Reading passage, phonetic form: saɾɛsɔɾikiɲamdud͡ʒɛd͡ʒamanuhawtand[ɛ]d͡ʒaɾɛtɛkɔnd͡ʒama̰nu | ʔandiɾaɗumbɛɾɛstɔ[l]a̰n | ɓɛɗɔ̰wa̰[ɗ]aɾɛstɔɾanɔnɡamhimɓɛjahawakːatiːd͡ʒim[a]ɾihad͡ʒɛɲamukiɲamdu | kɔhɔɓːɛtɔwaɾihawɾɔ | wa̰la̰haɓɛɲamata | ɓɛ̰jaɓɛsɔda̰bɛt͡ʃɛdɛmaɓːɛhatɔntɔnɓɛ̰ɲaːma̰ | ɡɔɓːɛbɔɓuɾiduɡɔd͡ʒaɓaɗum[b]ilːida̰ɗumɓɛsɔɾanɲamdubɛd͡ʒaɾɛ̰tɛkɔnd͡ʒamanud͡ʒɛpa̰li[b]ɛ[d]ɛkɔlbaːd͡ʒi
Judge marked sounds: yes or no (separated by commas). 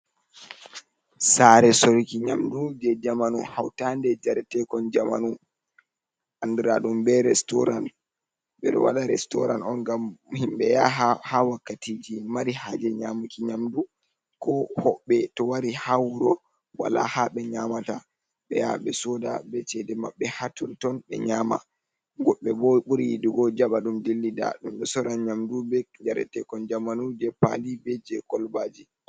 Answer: yes, no, yes, yes, no, yes, no